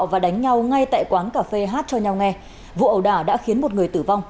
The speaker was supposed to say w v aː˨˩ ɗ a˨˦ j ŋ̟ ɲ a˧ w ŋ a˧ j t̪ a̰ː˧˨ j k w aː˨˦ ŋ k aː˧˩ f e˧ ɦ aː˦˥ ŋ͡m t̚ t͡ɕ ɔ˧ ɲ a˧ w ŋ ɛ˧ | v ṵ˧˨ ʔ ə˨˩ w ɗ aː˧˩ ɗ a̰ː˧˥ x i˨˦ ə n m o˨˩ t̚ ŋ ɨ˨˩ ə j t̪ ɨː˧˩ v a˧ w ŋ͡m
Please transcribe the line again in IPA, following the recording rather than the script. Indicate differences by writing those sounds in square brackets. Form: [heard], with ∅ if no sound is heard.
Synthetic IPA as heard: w v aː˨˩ ɗ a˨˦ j ŋ̟ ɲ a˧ w ŋ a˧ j t̪ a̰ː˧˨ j k w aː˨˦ [n] k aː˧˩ f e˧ ɦ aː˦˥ [∅] t̚ t͡ɕ ɔ˧ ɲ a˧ w ŋ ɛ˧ | v ṵ˧˨ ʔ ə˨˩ w ɗ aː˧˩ ɗ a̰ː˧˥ x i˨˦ ə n m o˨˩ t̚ ŋ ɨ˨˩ ə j t̪ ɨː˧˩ v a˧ w ŋ͡m

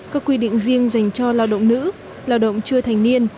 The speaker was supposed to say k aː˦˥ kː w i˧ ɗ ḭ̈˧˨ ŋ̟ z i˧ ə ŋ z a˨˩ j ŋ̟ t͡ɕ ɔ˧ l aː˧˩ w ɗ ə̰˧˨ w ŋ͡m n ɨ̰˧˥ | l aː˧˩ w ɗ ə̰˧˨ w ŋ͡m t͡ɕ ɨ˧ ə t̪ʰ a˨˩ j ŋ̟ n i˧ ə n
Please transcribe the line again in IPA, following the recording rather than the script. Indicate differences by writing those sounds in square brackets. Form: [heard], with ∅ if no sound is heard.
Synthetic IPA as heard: k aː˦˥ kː w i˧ ɗ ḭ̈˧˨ ŋ̟ z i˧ ə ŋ z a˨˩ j ŋ̟ t͡ɕ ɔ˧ l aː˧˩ w ɗ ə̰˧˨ w ŋ͡m n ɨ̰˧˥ | l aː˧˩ w ɗ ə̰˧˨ w ŋ͡m t͡ɕ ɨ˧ ə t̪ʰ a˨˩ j ŋ̟ n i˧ ə n

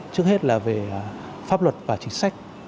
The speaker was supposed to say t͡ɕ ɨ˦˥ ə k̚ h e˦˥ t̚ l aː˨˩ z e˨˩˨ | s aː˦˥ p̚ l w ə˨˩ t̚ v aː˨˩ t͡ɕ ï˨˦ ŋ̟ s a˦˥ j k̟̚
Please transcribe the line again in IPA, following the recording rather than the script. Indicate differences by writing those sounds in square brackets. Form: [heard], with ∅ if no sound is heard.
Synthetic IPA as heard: t͡ɕ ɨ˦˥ ə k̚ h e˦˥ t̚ l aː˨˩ [v] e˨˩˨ | [f] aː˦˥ p̚ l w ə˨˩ t̚ v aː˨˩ t͡ɕ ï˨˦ ŋ̟ s a˦˥ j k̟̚

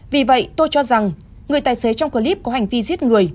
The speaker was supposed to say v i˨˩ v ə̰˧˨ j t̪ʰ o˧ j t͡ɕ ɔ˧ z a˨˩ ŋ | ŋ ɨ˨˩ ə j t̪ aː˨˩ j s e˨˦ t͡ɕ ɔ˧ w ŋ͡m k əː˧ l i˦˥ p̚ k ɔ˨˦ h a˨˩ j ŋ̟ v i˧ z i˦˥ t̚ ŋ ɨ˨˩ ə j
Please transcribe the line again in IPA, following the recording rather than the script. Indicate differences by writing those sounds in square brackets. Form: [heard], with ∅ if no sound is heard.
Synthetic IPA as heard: v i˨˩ v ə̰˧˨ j [t̪] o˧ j t͡ɕ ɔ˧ z a˨˩ ŋ | ŋ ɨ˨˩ ə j t̪ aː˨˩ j s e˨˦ t͡ɕ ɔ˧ w ŋ͡m k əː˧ l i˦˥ p̚ k ɔ˨˦ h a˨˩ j ŋ̟ v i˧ z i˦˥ t̚ ŋ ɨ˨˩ ə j

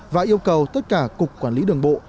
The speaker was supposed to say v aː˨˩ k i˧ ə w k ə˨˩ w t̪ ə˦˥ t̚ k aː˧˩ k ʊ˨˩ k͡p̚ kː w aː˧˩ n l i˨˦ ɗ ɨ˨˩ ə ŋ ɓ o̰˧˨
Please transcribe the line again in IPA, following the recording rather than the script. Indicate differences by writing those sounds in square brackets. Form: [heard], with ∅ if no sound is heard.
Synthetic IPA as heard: v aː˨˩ [ʔ] i˧ ə w k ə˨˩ w t̪ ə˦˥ t̚ k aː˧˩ k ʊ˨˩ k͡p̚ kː w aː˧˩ n l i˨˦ ɗ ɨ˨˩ ə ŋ ɓ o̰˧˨

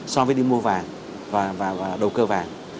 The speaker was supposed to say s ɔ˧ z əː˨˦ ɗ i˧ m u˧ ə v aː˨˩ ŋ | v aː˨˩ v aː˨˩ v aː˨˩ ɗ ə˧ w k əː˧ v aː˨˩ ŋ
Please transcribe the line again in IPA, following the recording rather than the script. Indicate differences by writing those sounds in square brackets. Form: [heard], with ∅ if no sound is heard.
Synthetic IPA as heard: s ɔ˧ [v] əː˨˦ ɗ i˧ m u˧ ə v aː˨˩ ŋ | v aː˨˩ v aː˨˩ v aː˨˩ ɗ [ə˨˩] w k əː˧ v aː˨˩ ŋ

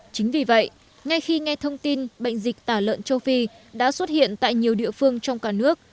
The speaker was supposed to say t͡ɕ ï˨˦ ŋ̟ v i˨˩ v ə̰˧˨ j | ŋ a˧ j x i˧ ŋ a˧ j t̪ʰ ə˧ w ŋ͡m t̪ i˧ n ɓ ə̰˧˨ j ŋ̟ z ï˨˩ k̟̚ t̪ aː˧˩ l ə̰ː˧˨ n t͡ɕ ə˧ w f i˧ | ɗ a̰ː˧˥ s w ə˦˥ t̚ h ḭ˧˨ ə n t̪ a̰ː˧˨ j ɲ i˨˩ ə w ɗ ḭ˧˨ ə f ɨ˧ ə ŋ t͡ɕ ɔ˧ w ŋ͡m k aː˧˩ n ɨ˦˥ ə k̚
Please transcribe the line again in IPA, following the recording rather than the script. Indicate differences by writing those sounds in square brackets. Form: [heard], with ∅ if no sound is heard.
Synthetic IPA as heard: t͡ɕ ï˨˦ ŋ̟ v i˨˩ v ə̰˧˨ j | ŋ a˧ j x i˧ ŋ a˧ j t̪ʰ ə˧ w ŋ͡m t̪ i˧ n ɓ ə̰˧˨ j ŋ̟ z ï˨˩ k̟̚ t̪ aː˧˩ l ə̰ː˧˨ n t͡ɕ ə˧ w f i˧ | ɗ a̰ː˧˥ s w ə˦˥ t̚ h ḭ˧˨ ə n t̪ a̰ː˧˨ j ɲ i˨˩ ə w ɗ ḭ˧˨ ə f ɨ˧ ə ŋ t͡ɕ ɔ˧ w ŋ͡m k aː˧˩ n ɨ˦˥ ə k̚

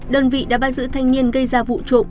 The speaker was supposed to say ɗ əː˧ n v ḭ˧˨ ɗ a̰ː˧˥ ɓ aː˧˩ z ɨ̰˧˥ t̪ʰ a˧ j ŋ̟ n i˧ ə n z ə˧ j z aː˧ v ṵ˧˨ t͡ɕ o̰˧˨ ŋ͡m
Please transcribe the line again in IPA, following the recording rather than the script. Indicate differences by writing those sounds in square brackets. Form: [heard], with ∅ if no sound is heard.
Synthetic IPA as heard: ɗ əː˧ n v ḭ˧˨ ɗ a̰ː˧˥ ɓ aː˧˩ z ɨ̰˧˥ t̪ʰ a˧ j ŋ̟ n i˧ ə n [ɣ] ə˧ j z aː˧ v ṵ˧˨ t͡ɕ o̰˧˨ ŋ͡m

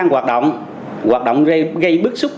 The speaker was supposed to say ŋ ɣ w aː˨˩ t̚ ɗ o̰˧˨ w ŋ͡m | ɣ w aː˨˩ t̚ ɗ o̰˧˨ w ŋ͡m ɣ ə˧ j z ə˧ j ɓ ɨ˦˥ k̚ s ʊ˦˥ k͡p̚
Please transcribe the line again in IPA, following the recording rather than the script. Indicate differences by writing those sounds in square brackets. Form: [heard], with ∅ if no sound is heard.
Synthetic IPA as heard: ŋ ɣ w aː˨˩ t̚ ɗ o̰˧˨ w ŋ͡m | ɣ w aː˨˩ t̚ ɗ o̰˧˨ w ŋ͡m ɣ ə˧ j [ɣ] ə˧ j ɓ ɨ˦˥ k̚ s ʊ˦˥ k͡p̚

